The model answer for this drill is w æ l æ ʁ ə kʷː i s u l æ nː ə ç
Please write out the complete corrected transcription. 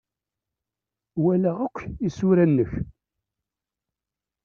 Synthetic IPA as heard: w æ l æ ʁ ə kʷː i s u ɾ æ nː ə ç